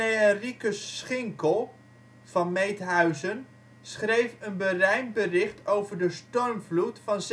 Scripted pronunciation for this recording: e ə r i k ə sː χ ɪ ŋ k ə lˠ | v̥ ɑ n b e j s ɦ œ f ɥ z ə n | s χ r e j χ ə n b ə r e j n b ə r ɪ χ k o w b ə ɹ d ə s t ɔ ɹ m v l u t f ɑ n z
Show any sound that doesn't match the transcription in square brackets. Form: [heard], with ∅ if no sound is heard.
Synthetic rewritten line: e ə r i k ə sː χ ɪ ŋ k ə lˠ | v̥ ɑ n [m] e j [t] ɦ œ [∅] ɥ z ə n | s χ r e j [f] ə n b ə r [ɛ] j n b ə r ɪ χ [t] o w [v] ə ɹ d ə s t ɔ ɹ m v l u t f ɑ n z